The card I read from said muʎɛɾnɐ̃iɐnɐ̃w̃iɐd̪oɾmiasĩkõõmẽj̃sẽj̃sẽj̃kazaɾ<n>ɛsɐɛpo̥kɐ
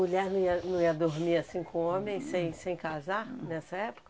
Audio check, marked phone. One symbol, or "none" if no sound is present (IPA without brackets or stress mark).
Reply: n